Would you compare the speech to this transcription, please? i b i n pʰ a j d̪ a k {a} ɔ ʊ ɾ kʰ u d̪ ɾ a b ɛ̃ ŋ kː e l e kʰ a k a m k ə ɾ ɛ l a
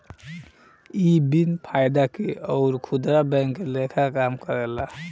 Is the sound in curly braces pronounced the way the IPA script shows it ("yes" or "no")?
no